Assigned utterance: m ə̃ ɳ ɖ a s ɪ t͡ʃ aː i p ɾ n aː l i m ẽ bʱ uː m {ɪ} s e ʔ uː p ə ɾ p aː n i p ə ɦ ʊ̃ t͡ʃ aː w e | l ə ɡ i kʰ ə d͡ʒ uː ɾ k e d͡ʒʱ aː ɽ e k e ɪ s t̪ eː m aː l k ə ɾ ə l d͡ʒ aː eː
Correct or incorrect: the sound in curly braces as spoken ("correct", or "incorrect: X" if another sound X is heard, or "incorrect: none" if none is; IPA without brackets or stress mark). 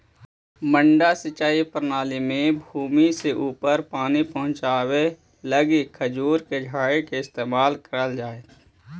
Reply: incorrect: i